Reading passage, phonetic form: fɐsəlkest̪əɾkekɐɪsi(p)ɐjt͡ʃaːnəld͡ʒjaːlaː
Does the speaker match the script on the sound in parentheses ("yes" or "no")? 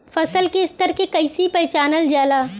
yes